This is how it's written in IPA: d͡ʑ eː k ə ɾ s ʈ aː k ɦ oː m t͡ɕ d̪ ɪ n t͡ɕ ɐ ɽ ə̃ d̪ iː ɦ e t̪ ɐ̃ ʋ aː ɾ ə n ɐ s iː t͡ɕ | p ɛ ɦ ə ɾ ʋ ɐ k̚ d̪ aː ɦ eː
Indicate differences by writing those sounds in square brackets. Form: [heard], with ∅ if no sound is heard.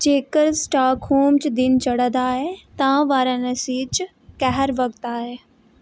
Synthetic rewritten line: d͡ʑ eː k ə ɾ s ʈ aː k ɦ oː m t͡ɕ d̪ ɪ n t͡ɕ ɐ ɽ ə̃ d̪ [aː] ɦ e t̪ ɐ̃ ʋ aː ɾ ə n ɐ s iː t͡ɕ | [k] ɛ ɦ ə ɾ ʋ ɐ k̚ [t̪] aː ɦ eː